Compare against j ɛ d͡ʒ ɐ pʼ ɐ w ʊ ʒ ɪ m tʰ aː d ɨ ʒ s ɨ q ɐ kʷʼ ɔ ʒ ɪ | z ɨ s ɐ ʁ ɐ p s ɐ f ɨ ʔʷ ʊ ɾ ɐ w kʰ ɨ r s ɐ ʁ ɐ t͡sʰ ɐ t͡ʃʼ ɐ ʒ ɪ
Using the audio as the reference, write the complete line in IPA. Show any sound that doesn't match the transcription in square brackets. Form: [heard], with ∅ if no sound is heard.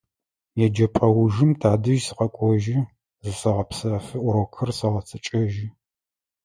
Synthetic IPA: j ɛ d͡ʒ ɐ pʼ ɐ w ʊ ʒ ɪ m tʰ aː d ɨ ʒ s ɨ q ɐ kʷʼ ɔ ʒ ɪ | z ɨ s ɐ ʁ ɐ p s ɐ f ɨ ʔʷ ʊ ɾ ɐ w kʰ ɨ r s ɐ ʁ ɐ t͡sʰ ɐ t͡ʃʼ ɐ ʒ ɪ